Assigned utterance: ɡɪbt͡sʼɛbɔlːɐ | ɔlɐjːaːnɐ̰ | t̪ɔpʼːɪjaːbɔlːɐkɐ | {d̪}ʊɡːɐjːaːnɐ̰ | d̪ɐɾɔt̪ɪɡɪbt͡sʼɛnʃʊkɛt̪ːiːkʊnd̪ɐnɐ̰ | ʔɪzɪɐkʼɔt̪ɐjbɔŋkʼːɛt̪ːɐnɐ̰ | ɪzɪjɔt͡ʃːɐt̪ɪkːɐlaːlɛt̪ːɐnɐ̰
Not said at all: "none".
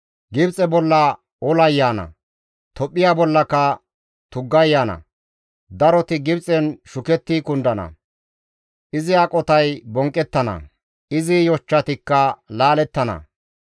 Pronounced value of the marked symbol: t̪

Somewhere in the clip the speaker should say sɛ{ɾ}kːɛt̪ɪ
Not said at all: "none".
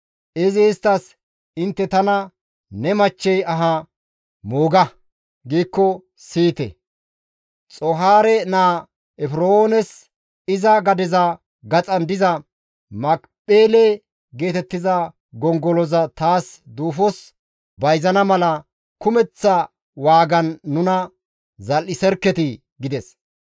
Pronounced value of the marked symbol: ɾ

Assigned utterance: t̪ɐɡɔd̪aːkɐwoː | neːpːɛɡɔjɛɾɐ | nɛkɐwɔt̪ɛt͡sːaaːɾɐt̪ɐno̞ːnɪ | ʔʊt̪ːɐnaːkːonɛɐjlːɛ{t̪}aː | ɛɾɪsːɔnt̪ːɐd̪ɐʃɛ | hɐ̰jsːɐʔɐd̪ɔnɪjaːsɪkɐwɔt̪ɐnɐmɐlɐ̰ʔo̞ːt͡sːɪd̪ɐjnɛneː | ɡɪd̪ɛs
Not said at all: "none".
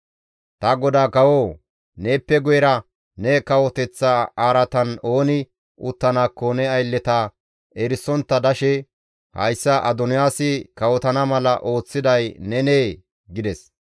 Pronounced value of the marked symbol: t̪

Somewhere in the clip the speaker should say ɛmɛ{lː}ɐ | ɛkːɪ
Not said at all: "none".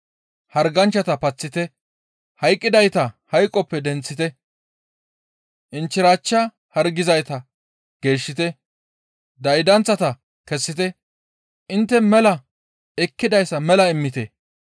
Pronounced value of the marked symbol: l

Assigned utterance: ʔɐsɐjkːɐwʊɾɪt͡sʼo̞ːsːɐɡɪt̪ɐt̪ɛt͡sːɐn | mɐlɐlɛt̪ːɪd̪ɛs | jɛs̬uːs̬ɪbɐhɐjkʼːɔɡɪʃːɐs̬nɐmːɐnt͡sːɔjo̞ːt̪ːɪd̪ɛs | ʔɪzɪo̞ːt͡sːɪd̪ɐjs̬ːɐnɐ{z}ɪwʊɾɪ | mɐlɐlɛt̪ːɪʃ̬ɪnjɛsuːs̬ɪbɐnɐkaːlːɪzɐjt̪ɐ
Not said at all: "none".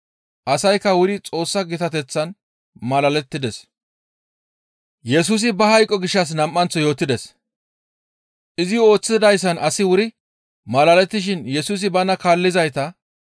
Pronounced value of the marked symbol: s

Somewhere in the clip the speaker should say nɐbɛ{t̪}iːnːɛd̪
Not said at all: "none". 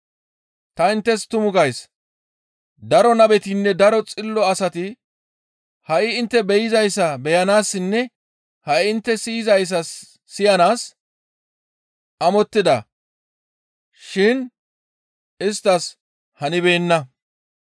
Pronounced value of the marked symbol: t̪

